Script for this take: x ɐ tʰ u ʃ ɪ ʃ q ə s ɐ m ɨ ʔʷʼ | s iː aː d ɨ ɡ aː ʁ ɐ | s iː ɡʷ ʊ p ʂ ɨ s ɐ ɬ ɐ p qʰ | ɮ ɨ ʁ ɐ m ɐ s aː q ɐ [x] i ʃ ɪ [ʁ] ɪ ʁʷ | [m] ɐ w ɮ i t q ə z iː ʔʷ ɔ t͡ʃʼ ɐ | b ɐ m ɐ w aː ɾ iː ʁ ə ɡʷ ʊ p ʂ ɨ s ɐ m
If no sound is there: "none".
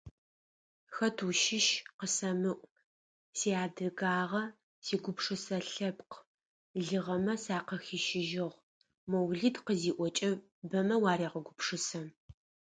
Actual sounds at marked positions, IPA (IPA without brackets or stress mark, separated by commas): x, ʒ, m